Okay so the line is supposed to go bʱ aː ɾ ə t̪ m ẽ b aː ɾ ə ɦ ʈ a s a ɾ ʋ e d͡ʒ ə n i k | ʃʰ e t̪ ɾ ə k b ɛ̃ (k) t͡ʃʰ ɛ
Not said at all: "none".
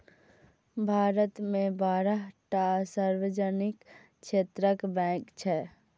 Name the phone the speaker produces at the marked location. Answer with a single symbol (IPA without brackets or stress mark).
k